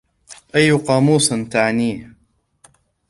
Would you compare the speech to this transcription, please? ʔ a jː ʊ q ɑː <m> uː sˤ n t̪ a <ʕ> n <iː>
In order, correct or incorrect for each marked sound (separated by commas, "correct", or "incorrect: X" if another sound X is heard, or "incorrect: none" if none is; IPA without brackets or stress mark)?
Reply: correct, correct, correct